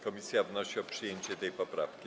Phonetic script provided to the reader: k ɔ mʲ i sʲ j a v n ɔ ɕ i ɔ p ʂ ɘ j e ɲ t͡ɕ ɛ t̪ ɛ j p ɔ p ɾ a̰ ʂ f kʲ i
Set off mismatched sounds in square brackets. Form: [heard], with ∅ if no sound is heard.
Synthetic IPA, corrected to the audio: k ɔ mʲ i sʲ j a v n ɔ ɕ i ɔ p ʂ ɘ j e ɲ t͡ɕ ɛ t̪ ɛ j p ɔ p ɾ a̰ [∅] f kʲ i